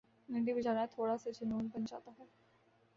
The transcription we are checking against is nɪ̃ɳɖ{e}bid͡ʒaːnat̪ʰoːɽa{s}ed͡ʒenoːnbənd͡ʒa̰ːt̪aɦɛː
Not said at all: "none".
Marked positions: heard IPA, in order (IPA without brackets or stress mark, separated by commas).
i, s